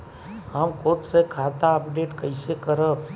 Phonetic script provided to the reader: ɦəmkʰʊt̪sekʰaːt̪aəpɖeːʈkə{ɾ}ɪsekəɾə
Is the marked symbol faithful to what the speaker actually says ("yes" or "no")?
no